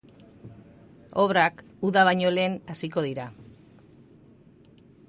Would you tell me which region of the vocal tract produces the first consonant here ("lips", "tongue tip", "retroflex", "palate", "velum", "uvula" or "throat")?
lips